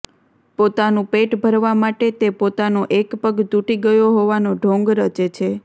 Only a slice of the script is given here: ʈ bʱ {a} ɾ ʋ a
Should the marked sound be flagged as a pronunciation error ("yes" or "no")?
yes